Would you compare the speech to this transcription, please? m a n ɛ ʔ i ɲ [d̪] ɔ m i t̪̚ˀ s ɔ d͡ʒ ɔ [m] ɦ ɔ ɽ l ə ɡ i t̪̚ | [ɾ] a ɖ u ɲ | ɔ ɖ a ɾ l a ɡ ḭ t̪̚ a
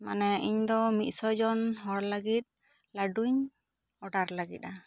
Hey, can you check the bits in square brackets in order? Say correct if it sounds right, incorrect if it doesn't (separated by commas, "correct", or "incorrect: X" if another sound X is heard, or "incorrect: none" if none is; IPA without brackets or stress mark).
correct, incorrect: n, incorrect: l